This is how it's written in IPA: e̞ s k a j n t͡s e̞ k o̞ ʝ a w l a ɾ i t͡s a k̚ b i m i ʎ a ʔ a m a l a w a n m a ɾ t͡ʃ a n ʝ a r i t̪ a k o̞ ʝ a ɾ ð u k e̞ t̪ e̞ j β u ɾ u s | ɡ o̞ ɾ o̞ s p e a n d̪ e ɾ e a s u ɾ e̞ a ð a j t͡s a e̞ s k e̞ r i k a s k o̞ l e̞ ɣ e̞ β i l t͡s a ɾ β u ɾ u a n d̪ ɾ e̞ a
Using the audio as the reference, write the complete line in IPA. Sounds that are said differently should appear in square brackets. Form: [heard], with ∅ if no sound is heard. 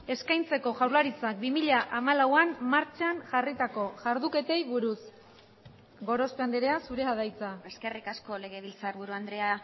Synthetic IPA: e̞ s k a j n t͡s e̞ k o̞ ʝ a w l a ɾ i t͡s a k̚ b i m i ʎ a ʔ a m a l a w a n m a ɾ t͡ʃ a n ʝ a r i t̪ a k o̞ ʝ a ɾ ð u k e̞ t̪ e̞ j β u ɾ u s | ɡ o̞ ɾ o̞ s p e a n d̪ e ɾ e a s u ɾ e̞ a ð a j t͡s a e̞ s k e̞ r i k a s k o̞ l e̞ ɣ e̞ β i l t͡s a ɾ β u ɾ u a n d̪ ɾ e̞ a

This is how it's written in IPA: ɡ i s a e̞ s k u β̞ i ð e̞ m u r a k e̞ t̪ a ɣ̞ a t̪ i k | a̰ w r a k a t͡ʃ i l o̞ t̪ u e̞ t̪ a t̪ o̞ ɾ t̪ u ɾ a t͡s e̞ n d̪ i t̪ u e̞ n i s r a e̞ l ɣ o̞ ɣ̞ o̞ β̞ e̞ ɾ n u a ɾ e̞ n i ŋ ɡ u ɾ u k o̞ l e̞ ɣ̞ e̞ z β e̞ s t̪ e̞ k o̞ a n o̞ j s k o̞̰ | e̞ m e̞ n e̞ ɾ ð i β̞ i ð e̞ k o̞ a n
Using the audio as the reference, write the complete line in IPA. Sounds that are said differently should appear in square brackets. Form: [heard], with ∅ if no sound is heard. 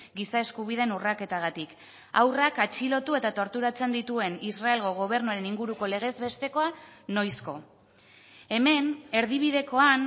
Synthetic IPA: ɡ i s a e̞ s k u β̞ i ð e̞ [n] u r a k e̞ t̪ a ɣ̞ a t̪ i k | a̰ w r a k a t͡ʃ i l o̞ t̪ u e̞ t̪ a t̪ o̞ ɾ t̪ u ɾ a t͡s e̞ n d̪ i t̪ u e̞ n i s r a e̞ l ɣ o̞ ɣ̞ o̞ β̞ e̞ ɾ n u a ɾ e̞ n i ŋ ɡ u ɾ u k o̞ l e̞ ɣ̞ e̞ z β e̞ s t̪ e̞ k o̞ a n o̞ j s k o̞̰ | e̞ m e̞ n e̞ ɾ ð i β̞ i ð e̞ k o̞ a n

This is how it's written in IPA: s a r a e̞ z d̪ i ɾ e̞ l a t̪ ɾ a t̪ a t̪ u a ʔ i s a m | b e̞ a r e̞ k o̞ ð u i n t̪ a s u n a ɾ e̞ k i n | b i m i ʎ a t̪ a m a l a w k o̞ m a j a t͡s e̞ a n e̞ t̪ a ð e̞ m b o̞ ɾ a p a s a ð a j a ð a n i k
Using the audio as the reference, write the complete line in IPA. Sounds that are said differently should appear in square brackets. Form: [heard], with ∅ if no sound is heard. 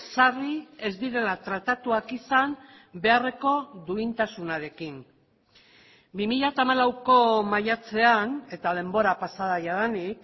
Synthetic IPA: s a r [i] e̞ z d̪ i ɾ e̞ l a t̪ ɾ a t̪ a t̪ u a [k] i s a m | b e̞ a r e̞ k o̞ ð u i n t̪ a s u n a ɾ e̞ k i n | b i m i ʎ a t̪ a m a l a w k o̞ m a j a t͡s e̞ a n e̞ t̪ a ð e̞ m b o̞ ɾ a p a s a ð a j a ð a n i k

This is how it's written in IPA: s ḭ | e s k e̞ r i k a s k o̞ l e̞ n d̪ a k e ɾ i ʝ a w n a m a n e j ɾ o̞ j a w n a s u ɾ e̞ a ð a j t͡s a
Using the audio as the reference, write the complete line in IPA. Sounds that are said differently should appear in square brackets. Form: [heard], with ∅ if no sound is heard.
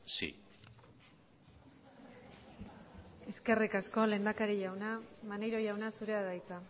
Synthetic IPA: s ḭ | e s k e̞ r i k a s k o̞ l e̞ n d̪ a k [a] ɾ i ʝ a w n a m a n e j ɾ o̞ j a w n a s u ɾ e̞ a ð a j t͡s a

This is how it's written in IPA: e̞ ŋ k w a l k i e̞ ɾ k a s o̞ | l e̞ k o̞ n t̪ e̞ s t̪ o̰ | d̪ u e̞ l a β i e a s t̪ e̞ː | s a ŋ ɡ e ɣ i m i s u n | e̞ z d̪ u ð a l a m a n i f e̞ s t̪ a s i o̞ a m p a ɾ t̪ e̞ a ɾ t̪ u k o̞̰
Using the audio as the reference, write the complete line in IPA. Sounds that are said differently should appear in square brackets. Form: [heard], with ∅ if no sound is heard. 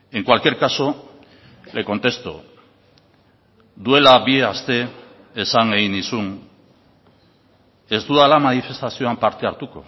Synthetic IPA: e̞ ŋ k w a l k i e̞ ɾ k a s o̞ | l e̞ k o̞ n t̪ e̞ s t̪ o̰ | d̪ u e̞ l a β i e a s t̪ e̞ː | s a ŋ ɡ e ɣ i [n] i s u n | e̞ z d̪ u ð a l a m a n i f e̞ s t̪ a s i o̞ a m p a ɾ t̪ e̞ a ɾ t̪ u k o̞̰

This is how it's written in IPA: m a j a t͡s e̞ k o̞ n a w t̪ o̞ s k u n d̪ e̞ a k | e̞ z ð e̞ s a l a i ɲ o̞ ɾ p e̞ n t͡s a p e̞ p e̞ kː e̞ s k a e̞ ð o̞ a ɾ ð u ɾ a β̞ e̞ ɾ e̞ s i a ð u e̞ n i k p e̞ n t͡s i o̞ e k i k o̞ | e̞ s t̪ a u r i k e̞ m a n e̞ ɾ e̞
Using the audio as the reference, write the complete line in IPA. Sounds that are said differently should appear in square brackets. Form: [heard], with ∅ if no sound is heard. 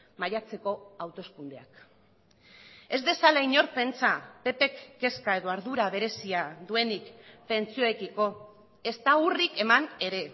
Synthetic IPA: m a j a t͡s e̞ k o̞ [∅] a w t̪ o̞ s k u n d̪ e̞ a k | e̞ z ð e̞ s a l a i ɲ o̞ ɾ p e̞ n t͡s a p e̞ p e̞ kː e̞ s k a e̞ ð o̞ a ɾ ð u ɾ a β̞ e̞ ɾ e̞ s i a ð u e̞ n i k p e̞ n t͡s i o̞ e k i k o̞ | e̞ s t̪ a u r i k e̞ m a n e̞ ɾ e̞

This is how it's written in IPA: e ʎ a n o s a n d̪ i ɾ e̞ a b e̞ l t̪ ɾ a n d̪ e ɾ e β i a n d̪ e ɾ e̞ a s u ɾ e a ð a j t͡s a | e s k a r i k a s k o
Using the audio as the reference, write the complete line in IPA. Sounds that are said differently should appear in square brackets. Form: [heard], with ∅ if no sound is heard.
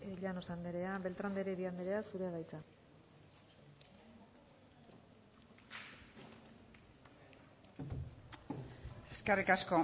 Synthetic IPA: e ʎ a n o s a n d̪ [e] ɾ e̞ a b e̞ l t̪ ɾ a n d̪ e ɾ e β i a n d̪ e ɾ e̞ a s u ɾ e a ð a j t͡s a | e s k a r i k a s k o

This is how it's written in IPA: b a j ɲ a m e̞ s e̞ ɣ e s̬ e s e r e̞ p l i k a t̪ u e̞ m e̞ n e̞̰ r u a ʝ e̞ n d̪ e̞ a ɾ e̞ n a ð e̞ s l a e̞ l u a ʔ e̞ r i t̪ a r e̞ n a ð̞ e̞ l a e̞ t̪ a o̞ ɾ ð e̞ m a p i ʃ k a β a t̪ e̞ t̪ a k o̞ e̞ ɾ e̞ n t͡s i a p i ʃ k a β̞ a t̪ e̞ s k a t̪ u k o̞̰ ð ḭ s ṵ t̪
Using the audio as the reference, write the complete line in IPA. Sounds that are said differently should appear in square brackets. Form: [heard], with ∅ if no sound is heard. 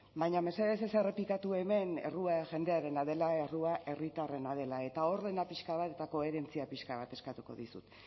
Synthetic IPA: b a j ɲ a m e̞ s e̞ [ð] e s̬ e s e r e̞ p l i k a t̪ u e̞ m e̞ n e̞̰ r u a ʝ e̞ n d̪ e̞ a ɾ e̞ n a ð e̞ [∅] l a e̞ [r] u a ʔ e̞ r i t̪ a r e̞ n a ð̞ e̞ l a e̞ t̪ a o̞ ɾ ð e̞ [n] a p i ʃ k a β a t̪ e̞ t̪ a k o̞ e̞ ɾ e̞ n t͡s i a p i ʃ k a β̞ a t̪ e̞ s k a t̪ u k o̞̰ ð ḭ s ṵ t̪

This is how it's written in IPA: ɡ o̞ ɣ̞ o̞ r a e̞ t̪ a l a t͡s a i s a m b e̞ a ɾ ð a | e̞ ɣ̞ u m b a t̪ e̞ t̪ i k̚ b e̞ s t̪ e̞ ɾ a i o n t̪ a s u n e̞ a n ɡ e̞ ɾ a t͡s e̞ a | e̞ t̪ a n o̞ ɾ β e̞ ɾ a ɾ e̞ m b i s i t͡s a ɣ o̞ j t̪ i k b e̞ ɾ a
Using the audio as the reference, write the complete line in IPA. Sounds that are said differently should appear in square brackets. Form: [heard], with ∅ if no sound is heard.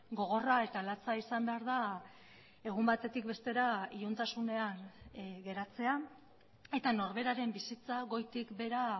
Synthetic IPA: ɡ o̞ ɣ̞ o̞ r a e̞ t̪ a l a t͡s a i s a m b e̞ a ɾ ð a | e̞ ɣ̞ u m b a t̪ e̞ t̪ i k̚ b e̞ s t̪ e̞ ɾ a i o n t̪ a s u n e̞ a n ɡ e̞ ɾ a t͡s e̞ a | e̞ t̪ a n o̞ ɾ β e̞ ɾ a ɾ e̞ m b i s i t͡s a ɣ o̞ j t̪ i k b e̞ ɾ a

